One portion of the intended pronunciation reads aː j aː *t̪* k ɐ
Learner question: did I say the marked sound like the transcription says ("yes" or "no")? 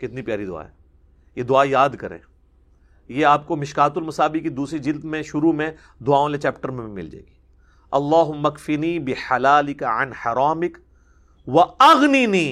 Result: no